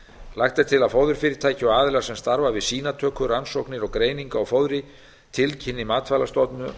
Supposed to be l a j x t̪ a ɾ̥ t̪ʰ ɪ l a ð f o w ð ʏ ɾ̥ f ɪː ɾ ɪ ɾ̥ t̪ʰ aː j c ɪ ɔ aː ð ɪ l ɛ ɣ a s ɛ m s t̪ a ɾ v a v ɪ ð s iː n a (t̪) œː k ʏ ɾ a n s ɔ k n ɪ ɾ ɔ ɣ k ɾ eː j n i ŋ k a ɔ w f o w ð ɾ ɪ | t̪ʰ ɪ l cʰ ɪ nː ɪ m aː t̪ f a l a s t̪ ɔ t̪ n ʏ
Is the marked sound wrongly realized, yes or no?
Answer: yes